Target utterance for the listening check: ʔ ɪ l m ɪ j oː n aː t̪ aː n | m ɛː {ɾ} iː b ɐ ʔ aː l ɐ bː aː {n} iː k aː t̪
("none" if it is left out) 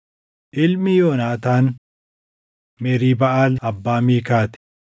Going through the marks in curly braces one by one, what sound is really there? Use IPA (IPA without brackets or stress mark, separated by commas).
ɾ, m